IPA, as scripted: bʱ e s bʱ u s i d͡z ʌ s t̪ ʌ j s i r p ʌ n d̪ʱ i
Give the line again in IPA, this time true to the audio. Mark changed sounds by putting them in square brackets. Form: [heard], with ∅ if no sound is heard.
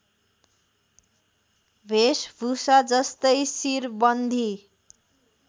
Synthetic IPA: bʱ e s bʱ u s [a] d͡z ʌ s t̪ ʌ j s i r [b] ʌ n d̪ʱ i